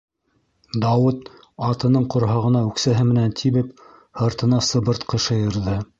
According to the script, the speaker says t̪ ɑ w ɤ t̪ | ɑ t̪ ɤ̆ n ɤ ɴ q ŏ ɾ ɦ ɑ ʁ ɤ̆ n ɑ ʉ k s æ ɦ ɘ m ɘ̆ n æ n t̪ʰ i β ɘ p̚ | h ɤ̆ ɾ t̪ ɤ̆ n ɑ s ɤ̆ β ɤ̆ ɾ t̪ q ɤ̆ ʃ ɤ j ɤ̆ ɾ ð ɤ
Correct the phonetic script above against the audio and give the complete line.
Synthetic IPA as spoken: d̪ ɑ w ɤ t̪ | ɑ t̪ ɤ̆ n ɤ ɴ q ŏ ɾ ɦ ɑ ʁ ɤ̆ n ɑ ʉ k s æ ɦ ɘ m ɘ̆ n æ n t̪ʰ i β ɘ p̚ | h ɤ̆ ɾ t̪ ɤ̆ n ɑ s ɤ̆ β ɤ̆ ɾ t̪ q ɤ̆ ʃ ɤ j ɤ̆ ɾ ð ɤ

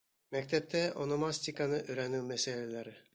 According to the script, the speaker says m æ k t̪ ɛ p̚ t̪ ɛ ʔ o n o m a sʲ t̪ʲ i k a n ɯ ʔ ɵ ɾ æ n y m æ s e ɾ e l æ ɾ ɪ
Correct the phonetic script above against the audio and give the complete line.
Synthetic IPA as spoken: m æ k t̪ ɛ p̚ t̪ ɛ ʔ o n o m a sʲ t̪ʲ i k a n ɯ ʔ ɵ ɾ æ n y m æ s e l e l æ ɾ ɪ

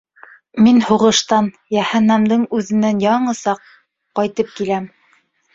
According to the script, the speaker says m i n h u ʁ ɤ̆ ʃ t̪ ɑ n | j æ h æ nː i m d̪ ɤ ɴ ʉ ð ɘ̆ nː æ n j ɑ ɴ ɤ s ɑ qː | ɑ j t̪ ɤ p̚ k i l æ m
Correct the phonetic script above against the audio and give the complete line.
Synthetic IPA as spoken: m i n h u ʁ ɤ̆ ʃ t̪ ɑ n | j æ h æ nː æ m d̪ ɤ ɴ ʉ ð ɘ̆ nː æ n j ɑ ɴ ɤ s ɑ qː | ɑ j t̪ ɤ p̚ k i l æ m

